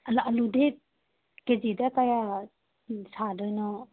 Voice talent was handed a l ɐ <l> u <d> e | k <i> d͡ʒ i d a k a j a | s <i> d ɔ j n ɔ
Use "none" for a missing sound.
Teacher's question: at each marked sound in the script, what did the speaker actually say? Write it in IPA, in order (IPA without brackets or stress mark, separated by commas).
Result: l, d, e, a